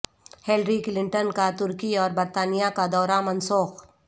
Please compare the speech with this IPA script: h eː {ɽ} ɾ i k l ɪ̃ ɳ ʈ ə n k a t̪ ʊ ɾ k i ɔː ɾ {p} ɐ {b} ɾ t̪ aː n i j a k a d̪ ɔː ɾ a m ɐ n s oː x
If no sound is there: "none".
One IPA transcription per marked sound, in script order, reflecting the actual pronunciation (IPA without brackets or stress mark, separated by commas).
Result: l, b, none